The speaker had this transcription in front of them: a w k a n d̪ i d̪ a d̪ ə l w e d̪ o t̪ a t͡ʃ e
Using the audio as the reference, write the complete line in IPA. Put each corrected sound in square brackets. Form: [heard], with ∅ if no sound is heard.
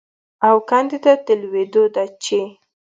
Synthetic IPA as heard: a w k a n d̪ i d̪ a [t̪] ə l w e d̪ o [d̪] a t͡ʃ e